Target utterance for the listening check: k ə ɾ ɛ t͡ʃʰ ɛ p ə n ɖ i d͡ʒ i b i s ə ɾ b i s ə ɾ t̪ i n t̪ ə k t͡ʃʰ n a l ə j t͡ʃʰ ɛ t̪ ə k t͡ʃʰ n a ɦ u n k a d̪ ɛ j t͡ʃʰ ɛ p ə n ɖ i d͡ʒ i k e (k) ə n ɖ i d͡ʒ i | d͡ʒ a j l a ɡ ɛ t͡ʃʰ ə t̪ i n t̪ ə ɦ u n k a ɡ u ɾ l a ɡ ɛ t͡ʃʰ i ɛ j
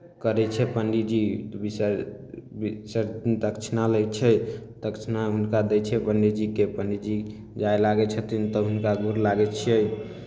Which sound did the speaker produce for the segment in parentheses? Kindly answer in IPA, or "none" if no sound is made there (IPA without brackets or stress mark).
p